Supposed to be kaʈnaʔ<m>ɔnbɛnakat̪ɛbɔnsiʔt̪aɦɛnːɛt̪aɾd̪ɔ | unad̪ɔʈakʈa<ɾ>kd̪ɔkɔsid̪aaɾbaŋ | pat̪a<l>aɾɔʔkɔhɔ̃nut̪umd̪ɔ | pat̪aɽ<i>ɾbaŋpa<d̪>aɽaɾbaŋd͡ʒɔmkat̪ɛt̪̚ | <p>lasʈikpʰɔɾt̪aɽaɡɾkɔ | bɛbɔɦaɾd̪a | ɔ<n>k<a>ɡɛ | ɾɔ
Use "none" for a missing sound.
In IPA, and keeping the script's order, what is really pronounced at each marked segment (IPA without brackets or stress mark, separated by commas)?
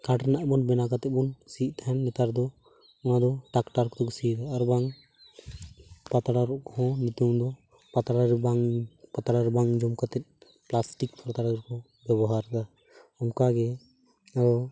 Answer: b, ɾ, ɽ, a, t̪, p, m, a